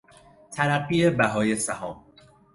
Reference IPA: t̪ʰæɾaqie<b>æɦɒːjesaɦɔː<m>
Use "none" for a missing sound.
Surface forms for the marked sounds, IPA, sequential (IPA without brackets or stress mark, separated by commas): b, m